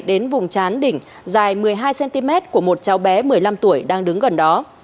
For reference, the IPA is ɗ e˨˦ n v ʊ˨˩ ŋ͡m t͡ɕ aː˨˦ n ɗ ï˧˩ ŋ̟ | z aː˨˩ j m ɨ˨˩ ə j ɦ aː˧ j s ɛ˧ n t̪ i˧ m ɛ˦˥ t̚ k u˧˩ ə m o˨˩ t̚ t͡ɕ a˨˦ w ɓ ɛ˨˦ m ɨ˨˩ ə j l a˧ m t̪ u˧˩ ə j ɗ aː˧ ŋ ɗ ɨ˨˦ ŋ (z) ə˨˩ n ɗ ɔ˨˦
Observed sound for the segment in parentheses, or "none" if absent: ɣ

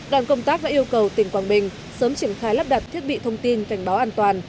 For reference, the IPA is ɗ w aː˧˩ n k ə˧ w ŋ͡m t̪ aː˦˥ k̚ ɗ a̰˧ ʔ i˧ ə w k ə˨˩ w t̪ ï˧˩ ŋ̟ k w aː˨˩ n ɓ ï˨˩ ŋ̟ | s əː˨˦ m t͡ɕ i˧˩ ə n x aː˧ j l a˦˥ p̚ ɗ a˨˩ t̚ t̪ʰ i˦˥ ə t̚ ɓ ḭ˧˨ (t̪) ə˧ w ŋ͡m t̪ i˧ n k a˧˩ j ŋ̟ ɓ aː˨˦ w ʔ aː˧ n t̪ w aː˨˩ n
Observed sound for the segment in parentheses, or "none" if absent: t̪ʰ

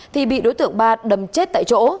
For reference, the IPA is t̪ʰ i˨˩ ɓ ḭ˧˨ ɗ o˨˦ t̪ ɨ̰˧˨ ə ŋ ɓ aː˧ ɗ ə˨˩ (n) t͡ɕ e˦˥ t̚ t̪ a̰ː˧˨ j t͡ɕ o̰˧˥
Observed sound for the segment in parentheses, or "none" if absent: m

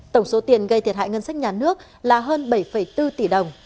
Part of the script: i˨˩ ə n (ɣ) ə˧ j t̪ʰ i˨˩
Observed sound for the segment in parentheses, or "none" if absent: ɣ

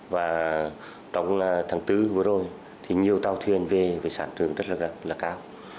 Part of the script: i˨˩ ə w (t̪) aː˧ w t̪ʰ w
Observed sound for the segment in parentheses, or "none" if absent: t̪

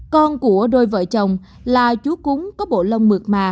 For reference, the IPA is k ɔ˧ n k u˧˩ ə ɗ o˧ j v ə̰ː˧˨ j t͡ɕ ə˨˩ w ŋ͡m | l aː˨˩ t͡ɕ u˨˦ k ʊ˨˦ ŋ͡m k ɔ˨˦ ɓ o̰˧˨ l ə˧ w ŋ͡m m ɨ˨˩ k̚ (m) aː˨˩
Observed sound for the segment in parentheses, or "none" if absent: m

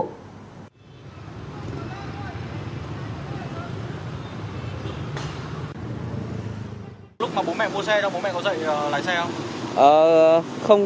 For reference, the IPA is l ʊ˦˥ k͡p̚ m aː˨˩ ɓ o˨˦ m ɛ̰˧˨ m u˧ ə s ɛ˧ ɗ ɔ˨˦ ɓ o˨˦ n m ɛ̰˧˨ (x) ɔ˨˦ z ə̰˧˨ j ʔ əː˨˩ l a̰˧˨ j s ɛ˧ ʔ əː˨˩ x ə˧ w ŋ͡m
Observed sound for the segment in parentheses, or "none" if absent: k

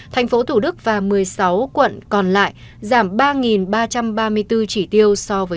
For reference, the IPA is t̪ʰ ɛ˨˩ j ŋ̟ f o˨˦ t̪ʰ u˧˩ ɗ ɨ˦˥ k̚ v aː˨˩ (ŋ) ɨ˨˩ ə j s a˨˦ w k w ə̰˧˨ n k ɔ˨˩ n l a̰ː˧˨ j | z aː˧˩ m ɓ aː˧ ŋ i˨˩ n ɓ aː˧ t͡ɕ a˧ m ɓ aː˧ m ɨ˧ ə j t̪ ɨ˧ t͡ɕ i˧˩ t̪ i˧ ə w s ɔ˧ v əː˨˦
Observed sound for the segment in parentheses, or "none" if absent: m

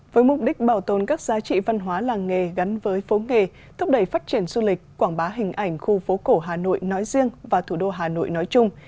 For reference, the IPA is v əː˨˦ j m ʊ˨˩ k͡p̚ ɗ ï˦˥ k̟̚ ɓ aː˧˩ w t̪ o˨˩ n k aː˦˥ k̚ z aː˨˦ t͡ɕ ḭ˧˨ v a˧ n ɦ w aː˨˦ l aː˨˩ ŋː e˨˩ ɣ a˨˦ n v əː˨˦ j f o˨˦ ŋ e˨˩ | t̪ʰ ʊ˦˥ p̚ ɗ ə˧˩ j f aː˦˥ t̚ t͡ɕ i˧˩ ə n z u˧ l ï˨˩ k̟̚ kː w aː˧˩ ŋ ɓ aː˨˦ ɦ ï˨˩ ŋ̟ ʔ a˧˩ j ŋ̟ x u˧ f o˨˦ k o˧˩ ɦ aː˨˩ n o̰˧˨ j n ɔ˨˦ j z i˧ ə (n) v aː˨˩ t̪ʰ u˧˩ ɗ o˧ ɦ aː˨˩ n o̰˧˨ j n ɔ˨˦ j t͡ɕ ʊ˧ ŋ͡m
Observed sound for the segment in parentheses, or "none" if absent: ŋ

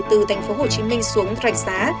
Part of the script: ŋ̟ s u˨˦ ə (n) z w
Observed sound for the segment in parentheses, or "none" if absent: ŋ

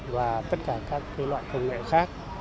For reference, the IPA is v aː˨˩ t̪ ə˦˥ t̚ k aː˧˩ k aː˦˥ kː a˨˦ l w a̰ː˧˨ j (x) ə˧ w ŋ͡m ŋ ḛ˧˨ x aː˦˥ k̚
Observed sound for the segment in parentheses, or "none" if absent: k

